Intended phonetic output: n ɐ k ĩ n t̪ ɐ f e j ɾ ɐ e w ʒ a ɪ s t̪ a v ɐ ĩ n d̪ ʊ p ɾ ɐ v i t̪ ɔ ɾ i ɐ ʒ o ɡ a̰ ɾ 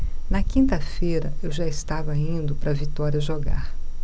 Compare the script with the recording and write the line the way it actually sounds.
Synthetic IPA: n ɐ k ĩ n t̪ ɐ f e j ɾ ɐ e w ʒ a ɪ s t̪ a v ɐ ĩ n d̪ ʊ p ɾ ɐ v i t̪ ɔ ɾ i ɐ ʒ o ɡ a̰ ɾ